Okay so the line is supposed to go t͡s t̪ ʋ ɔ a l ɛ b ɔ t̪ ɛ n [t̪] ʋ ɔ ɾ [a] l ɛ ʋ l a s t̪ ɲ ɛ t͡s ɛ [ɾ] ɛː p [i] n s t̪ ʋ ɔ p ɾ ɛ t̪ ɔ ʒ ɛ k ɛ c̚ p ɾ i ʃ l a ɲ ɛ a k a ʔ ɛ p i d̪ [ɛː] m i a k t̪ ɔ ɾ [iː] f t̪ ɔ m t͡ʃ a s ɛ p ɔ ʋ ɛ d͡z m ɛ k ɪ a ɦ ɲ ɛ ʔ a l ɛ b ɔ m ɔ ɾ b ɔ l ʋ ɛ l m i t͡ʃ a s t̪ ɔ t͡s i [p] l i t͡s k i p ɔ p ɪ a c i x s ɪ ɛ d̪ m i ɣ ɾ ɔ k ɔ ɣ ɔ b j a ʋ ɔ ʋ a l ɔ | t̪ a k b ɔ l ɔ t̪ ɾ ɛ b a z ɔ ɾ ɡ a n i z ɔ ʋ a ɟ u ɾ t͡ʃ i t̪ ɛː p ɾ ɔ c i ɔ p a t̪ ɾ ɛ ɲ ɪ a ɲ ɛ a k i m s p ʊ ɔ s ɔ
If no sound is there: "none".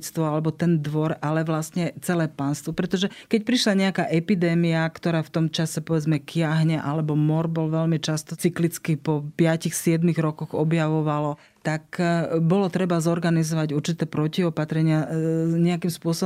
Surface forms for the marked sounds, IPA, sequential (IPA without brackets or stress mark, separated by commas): d̪, a, l, a, ɛː, aː, k